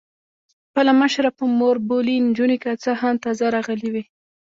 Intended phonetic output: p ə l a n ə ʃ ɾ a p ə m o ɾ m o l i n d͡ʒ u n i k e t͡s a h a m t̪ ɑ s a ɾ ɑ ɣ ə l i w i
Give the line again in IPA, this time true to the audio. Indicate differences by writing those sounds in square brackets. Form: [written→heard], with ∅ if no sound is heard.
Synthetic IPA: p ə l a [n→m] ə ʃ ɾ a p ə m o ɾ [m→b] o l i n d͡ʒ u n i k [e→a] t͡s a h a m t̪ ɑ [s→z] a ɾ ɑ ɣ ə l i w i